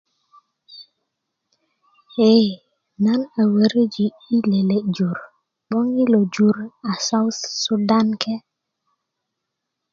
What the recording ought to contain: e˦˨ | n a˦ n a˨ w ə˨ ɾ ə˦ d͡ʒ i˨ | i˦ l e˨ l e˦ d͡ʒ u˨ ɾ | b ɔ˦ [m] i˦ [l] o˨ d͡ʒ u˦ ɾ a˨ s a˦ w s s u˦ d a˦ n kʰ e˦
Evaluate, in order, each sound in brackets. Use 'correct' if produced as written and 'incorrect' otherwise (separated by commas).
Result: incorrect, correct